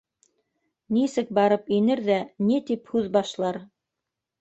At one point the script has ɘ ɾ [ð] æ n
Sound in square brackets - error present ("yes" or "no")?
no